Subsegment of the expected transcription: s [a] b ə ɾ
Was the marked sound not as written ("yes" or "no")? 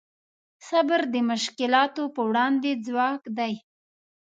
no